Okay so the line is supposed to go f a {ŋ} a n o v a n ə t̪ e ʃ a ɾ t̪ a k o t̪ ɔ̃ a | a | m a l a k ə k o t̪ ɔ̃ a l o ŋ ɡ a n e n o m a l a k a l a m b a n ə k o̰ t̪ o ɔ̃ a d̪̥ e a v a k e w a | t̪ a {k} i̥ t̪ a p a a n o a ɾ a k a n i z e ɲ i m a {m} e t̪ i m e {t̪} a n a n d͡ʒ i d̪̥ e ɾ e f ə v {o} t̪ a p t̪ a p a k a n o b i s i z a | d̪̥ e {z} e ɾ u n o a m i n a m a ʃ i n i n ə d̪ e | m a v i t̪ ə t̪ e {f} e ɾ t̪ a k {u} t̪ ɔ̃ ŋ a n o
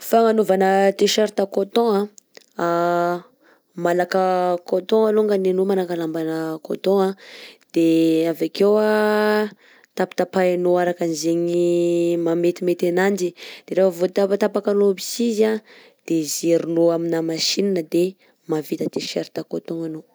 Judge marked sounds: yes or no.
yes, no, yes, yes, yes, yes, no, no

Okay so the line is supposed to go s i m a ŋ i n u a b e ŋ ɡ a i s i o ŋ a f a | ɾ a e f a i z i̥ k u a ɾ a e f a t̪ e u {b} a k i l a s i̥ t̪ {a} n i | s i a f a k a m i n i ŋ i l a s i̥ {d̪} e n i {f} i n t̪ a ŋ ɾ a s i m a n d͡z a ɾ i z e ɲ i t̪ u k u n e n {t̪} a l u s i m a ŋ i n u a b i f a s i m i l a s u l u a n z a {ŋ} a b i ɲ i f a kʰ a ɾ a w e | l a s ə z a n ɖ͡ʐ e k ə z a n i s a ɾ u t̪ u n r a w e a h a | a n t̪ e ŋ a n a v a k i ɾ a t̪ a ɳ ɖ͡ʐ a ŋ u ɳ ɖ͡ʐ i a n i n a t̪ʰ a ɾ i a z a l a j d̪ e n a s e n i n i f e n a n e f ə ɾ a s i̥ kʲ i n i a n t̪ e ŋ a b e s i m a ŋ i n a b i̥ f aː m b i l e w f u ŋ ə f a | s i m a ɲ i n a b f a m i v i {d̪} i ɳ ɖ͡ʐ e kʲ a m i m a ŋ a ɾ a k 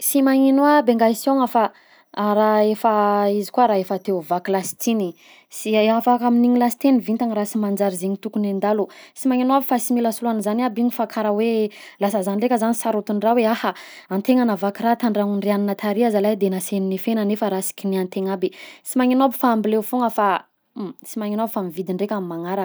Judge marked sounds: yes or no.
no, no, no, no, no, no, yes

